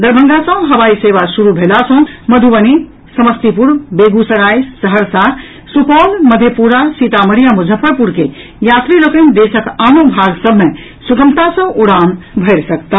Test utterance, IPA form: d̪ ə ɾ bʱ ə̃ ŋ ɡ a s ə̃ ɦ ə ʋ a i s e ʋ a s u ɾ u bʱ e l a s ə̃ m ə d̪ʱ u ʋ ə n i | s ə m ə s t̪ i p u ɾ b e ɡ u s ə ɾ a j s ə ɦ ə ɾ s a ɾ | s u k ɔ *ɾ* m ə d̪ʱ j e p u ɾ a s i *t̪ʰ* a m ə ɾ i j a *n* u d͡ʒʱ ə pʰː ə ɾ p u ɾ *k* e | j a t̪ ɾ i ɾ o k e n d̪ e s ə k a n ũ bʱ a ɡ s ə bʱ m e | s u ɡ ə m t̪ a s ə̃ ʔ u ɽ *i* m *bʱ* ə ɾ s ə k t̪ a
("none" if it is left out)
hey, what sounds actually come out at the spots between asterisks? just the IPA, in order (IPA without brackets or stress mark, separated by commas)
l, t̪, m, k, a, bʱ